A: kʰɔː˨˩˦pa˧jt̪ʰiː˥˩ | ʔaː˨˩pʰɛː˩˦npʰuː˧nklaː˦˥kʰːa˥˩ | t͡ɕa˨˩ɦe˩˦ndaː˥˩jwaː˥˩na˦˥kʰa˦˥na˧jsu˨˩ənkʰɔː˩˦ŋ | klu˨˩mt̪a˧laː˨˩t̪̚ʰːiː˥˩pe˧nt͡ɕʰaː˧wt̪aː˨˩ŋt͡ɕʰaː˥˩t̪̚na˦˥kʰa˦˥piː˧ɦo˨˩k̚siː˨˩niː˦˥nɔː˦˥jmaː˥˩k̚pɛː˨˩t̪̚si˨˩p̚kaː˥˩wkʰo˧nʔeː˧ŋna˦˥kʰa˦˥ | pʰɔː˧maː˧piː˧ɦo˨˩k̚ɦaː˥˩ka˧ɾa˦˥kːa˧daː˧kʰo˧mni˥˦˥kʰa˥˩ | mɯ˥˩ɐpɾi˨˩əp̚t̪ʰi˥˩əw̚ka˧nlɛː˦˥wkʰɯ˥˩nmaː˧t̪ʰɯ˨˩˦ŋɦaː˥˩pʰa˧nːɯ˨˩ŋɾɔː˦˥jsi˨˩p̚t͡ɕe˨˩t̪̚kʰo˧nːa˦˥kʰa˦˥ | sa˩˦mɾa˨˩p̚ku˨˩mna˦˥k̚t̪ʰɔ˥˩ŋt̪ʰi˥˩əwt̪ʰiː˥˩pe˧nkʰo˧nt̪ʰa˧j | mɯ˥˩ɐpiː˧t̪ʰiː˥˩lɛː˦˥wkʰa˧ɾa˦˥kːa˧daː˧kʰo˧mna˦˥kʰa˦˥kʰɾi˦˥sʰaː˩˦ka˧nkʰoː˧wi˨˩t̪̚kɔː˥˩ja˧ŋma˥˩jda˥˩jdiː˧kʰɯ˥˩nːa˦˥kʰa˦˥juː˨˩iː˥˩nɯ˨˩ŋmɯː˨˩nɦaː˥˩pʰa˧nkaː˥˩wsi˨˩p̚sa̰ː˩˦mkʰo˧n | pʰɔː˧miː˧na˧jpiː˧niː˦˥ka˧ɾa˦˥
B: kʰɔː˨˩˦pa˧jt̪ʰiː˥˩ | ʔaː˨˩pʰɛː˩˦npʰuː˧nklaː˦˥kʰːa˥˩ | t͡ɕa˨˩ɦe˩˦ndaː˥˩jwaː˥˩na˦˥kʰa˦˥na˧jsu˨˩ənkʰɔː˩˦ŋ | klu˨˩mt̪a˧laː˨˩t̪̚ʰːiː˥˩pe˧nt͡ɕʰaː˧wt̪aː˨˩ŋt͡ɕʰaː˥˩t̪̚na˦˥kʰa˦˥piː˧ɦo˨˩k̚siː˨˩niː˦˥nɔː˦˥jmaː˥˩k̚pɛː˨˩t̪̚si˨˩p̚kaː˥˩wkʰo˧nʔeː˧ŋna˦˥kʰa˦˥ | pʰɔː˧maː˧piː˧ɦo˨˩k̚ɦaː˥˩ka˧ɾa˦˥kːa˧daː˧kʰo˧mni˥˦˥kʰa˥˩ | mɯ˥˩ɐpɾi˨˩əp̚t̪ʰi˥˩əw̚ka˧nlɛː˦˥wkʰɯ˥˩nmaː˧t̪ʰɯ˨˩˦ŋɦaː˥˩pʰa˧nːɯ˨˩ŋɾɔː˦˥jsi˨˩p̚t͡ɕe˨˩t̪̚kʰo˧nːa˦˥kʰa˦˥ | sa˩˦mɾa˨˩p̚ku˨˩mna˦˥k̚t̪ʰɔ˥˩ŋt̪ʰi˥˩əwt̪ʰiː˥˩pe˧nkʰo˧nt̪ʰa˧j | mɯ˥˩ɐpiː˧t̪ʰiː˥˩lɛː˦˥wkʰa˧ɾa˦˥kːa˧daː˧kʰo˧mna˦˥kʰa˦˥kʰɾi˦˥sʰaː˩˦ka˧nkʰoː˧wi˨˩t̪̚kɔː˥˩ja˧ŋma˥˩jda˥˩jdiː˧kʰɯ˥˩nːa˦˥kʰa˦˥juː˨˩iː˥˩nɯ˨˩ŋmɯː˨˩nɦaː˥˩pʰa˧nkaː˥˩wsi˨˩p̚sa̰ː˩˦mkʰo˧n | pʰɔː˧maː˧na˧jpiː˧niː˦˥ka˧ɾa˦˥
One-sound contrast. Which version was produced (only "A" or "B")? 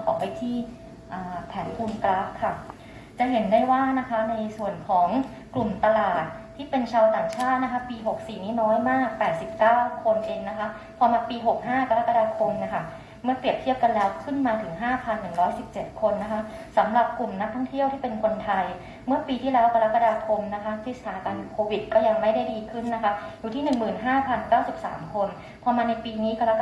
B